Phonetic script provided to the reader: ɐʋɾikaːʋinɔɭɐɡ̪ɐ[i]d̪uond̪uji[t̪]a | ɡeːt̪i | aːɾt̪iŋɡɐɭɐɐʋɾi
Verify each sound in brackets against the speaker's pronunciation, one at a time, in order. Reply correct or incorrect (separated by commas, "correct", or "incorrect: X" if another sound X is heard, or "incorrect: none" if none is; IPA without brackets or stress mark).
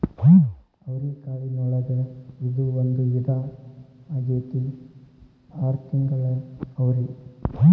correct, incorrect: d̪